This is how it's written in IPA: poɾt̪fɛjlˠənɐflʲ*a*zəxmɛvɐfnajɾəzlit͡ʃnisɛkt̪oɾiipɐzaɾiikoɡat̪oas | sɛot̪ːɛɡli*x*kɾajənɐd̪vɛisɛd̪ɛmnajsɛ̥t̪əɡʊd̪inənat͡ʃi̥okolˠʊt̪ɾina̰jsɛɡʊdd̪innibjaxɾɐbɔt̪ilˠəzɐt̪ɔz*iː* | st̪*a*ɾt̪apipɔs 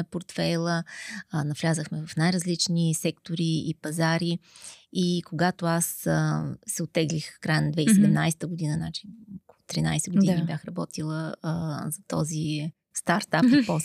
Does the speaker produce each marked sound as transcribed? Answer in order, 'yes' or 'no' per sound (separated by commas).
yes, yes, no, yes